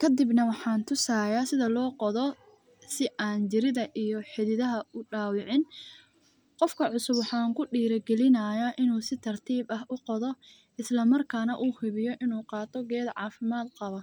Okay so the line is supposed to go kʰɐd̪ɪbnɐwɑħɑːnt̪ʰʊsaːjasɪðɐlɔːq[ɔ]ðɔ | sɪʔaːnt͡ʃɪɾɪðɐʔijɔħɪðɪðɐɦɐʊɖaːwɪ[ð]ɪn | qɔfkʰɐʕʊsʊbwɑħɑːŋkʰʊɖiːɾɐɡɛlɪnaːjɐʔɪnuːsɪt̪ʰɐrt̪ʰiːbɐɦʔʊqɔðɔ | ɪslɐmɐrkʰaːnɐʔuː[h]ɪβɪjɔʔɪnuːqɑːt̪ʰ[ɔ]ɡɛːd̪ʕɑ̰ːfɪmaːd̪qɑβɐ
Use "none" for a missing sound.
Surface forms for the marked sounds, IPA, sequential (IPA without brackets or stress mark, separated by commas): ɔ, ʕ, h, ɔ